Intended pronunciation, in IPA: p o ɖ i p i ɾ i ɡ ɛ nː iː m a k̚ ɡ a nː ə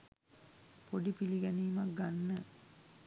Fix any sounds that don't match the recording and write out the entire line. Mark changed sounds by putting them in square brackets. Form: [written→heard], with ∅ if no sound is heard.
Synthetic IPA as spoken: p o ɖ i p i [ɾ→l] i ɡ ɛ [nː→n] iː m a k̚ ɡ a nː ə